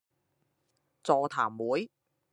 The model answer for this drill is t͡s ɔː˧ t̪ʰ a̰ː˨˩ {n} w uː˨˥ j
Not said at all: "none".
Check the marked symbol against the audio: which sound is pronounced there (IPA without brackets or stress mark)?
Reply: m